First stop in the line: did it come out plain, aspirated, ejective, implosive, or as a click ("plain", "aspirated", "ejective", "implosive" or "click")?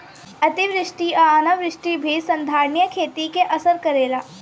plain